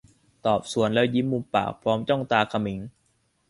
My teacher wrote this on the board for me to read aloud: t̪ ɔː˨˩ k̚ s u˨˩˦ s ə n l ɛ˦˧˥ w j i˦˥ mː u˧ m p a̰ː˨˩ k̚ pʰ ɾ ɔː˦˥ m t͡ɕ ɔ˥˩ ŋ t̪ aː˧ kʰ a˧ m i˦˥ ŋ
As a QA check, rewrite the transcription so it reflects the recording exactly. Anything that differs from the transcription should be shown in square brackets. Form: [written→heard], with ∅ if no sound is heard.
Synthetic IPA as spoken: t̪ ɔː˨˩ [k̚→p̚] s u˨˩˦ [s→∅] ə n l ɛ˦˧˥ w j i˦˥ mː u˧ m p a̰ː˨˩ k̚ pʰ ɾ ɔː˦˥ m t͡ɕ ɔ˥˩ ŋ t̪ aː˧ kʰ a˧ m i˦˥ ŋ